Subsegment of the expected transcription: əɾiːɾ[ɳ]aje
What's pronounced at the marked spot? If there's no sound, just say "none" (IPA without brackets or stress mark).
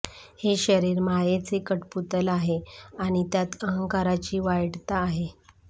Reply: m